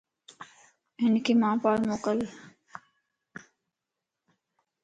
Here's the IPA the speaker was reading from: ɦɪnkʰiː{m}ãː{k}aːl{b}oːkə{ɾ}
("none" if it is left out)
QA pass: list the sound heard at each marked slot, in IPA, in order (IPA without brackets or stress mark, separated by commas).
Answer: m, p, m, l